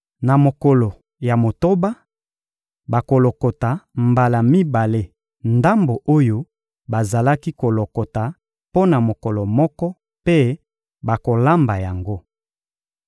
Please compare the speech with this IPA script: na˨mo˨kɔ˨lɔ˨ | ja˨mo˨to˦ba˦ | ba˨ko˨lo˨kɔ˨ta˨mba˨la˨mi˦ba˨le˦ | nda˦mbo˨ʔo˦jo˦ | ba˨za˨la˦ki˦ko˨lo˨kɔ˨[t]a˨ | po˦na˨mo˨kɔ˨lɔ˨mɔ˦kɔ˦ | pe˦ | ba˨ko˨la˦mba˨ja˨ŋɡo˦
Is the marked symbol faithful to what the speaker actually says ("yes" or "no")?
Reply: yes